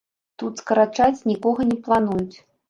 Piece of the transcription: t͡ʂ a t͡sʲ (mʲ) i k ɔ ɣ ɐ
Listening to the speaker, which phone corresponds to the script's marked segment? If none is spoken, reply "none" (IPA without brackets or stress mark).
nʲ